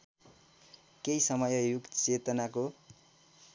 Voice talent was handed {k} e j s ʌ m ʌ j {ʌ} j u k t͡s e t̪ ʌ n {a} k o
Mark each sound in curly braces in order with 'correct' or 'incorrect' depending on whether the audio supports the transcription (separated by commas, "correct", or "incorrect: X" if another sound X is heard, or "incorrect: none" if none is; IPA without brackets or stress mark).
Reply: correct, correct, correct